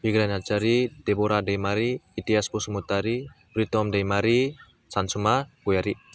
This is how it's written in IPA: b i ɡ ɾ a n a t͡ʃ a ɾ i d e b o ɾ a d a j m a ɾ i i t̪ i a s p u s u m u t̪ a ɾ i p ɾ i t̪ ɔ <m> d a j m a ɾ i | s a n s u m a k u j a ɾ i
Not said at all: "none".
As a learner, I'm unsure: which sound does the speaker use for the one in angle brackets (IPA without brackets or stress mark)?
m